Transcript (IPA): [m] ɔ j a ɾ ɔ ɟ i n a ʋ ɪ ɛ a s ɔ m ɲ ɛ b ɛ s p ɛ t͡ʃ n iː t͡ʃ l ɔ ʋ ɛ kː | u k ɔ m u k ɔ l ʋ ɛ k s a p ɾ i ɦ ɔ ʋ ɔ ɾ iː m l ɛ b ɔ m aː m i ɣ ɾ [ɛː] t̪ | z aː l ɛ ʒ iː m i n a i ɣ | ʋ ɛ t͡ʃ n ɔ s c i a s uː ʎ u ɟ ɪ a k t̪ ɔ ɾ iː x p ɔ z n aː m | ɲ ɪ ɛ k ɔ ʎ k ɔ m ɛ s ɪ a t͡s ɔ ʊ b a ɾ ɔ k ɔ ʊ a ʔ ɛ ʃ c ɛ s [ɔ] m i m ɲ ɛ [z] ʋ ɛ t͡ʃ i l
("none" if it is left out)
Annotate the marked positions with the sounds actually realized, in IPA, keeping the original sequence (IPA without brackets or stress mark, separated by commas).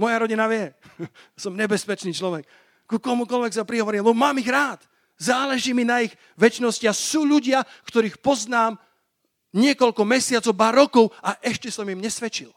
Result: m, aː, ɔ, s